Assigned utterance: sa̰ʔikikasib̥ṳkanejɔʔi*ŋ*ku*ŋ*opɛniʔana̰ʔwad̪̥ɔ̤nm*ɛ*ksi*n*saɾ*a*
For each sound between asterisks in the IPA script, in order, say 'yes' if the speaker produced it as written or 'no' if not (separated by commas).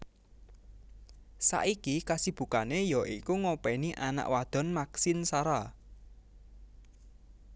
no, yes, no, yes, yes